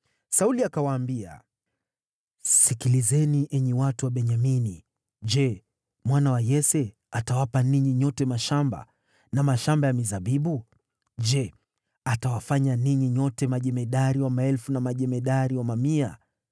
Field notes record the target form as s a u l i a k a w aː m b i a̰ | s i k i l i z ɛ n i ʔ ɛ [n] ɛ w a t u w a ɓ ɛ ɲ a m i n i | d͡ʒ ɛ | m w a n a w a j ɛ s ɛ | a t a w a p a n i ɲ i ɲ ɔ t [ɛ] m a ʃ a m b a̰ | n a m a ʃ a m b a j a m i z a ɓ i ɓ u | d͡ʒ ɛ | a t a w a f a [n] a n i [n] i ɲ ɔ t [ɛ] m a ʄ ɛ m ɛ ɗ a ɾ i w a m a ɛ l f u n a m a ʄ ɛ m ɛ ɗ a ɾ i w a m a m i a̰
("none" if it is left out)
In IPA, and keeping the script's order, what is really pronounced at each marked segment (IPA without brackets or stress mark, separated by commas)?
ɲ, ɛ, ɲ, ɲ, ɛ